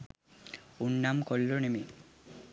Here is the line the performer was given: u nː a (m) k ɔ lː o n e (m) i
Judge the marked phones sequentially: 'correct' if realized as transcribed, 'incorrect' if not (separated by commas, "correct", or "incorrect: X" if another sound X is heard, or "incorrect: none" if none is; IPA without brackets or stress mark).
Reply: correct, correct